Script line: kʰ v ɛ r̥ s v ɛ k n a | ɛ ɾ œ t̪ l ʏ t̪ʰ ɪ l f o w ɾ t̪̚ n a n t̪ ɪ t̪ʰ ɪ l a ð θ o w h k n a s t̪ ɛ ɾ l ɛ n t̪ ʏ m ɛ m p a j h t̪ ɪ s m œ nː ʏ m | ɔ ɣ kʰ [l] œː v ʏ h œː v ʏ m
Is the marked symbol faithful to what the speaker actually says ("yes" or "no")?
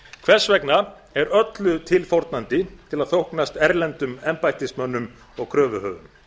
no